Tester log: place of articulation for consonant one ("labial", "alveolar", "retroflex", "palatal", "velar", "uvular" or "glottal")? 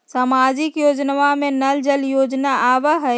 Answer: alveolar